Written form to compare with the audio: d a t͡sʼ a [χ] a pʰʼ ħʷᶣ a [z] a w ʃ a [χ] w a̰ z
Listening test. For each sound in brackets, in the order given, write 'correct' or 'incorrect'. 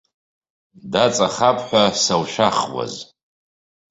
correct, incorrect: s, correct

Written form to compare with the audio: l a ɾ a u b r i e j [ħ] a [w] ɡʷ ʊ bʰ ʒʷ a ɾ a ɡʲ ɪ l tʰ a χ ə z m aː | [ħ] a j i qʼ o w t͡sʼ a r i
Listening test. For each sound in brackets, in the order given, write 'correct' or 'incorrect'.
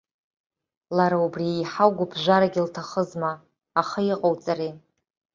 correct, correct, incorrect: χ

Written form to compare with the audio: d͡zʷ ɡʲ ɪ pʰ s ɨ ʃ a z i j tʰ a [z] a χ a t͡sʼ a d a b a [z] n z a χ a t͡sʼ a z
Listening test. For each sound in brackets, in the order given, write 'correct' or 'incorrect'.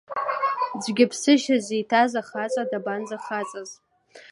correct, incorrect: none

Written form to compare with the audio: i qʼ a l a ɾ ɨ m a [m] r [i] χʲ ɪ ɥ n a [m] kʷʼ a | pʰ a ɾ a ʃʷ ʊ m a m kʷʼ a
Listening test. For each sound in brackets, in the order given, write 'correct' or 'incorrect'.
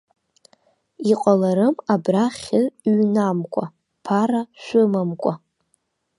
incorrect: b, incorrect: a, correct

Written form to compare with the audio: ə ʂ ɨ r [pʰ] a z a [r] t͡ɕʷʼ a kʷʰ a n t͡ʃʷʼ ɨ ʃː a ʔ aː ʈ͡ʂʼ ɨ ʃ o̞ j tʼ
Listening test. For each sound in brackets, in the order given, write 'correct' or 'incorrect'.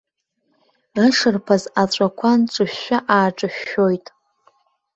correct, incorrect: none

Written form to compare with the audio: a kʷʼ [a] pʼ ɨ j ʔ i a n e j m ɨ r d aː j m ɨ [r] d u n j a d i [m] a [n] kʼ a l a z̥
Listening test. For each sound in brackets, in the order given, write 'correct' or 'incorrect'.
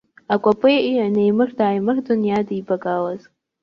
correct, correct, incorrect: b, incorrect: none

